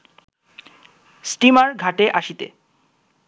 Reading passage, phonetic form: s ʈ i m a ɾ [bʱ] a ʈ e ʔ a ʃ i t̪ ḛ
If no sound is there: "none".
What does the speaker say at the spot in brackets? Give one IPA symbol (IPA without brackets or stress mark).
ɡʱ